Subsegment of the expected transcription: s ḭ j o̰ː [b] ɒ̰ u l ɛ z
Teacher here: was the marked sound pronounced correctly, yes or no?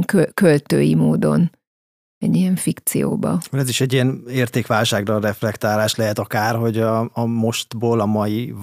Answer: yes